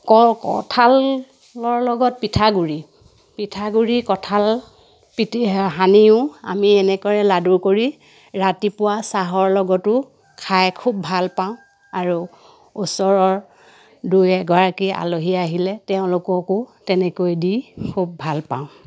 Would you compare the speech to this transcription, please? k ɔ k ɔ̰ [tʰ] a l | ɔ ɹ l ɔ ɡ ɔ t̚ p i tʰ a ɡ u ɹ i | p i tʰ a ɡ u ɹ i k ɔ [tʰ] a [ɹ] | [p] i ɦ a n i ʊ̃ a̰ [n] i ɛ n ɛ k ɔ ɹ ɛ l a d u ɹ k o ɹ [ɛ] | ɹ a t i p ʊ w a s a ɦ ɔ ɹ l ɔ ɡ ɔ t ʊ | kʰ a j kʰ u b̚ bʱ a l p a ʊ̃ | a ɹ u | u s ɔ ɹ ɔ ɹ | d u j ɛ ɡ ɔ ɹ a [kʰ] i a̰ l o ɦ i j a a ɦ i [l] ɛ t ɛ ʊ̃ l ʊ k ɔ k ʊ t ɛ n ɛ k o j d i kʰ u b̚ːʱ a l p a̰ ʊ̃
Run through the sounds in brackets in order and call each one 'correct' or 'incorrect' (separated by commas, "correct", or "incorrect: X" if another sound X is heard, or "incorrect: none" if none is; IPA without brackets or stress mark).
correct, correct, incorrect: l, correct, incorrect: m, incorrect: i, incorrect: k, correct